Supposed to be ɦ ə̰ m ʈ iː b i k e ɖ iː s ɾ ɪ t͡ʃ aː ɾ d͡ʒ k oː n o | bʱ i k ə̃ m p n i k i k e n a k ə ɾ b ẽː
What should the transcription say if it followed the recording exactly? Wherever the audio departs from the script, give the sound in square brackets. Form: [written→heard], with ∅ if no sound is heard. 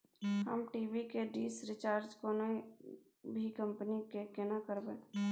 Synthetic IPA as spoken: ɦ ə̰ m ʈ iː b i k e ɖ iː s ɾ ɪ t͡ʃ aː ɾ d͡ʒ k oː n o | bʱ i k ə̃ m p n i k [i→e] k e n a k ə ɾ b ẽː